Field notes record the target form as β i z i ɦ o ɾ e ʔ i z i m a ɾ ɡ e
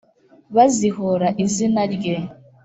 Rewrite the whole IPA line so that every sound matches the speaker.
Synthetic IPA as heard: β a z i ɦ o ɾ a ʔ i z i n a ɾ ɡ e

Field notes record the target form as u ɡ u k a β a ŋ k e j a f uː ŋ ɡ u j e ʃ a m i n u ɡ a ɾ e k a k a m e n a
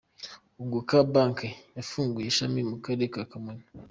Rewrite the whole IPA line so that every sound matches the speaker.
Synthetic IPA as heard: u ɡ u k a b a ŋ k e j a f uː ŋ ɡ u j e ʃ a m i m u k a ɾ e k a k a m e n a

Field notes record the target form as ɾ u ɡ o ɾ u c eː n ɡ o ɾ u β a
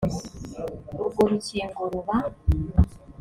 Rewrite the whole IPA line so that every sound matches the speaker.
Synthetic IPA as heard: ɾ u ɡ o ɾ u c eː ŋ ɡ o ɾ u β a

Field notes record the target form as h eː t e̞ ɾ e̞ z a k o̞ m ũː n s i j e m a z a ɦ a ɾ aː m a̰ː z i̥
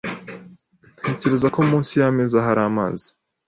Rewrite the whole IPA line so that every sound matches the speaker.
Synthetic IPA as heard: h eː c e̞ ɾ e̞ z a k o̞ m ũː n s i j a m e z a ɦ a ɾ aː m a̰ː z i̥

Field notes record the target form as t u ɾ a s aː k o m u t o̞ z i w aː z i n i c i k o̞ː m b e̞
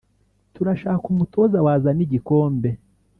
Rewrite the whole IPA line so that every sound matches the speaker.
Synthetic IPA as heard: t u ɾ a ʃ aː k u m u t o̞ z a w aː z a n i ɟ i k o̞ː m b e̞

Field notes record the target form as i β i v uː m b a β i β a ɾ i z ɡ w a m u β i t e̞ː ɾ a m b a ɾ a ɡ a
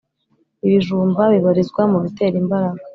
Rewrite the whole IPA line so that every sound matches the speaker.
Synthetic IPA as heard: i β i ʒ uː m b a β i β a ɾ i z ɡ w a m u β i t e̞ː ɾ i m b a ɾ a ɡ a

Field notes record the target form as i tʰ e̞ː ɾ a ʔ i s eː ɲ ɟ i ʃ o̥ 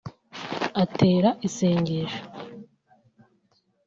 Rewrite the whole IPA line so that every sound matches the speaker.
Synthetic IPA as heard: a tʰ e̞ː ɾ a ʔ i s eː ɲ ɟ e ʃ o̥

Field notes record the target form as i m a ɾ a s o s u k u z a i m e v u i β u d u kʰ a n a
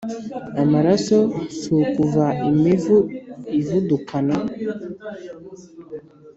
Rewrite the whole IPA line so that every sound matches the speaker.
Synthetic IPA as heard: a m a ɾ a s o s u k u v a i m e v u i v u d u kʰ a n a

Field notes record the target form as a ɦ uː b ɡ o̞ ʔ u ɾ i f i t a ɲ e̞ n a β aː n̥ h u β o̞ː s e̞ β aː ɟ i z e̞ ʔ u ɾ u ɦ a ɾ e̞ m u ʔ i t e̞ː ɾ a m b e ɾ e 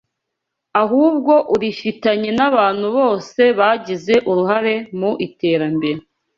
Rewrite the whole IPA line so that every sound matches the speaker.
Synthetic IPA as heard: a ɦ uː b ɡ o̞ ʔ u ɾ i f i t a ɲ e̞ n a β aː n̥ h u β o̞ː s e̞ β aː ɟ i z e̞ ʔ u ɾ u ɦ a ɾ e̞ m u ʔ i t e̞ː ɾ a m b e ɾ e

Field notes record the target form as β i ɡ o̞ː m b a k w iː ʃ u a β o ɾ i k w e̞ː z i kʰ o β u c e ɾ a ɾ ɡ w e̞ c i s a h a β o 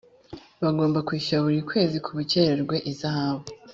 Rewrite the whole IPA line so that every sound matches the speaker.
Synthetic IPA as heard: β a ɡ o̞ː m b a k w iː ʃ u a β u ɾ i k w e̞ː z i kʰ u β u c e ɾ e ɾ ɡ w e̞ ʔ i z a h a β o

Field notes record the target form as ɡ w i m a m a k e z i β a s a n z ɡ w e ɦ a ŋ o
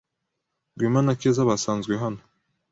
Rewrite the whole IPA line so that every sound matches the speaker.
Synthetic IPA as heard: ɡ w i m a n a k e z a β a s a n z ɡ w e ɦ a n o

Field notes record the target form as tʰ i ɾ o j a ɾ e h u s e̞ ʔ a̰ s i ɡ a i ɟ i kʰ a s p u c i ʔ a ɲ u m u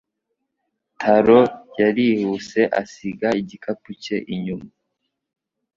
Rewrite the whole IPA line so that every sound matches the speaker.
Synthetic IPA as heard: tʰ a ɾ o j a ɾ i h u s e̞ ʔ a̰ s i ɡ a i ɟ i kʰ a p u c e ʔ i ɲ u m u

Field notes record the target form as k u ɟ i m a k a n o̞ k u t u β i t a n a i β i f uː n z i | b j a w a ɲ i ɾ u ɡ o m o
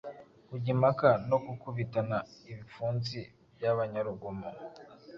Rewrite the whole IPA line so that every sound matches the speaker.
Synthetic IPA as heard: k u ɟ i m a k a n o̞ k u k u β i t a n a i β i f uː n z i | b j a β a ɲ a ɾ u ɡ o m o

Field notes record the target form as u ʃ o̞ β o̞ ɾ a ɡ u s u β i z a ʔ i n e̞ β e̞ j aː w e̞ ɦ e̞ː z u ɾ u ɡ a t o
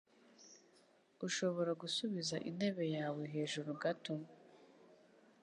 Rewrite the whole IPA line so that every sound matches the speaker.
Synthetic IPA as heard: u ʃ o̞ β o̞ ɾ a ɡ u s u β i z a ʔ i n e̞ β e̞ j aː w e̞ ɦ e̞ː ʒ u ɾ u ɡ a t o

